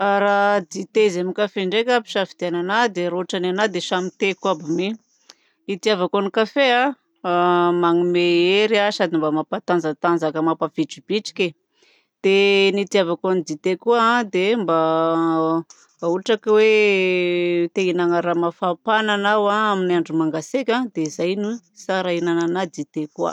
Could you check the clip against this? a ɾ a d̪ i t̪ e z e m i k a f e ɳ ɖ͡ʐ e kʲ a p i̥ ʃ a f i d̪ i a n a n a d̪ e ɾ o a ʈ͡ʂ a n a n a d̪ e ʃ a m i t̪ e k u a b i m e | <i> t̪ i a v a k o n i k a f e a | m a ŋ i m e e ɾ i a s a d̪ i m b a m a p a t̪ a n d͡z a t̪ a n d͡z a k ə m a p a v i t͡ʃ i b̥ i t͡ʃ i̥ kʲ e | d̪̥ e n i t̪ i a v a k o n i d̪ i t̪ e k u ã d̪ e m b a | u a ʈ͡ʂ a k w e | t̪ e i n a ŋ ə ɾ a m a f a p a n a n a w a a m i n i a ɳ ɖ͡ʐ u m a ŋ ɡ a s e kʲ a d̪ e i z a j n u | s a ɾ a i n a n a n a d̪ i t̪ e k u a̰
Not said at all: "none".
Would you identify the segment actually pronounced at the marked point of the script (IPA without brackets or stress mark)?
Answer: i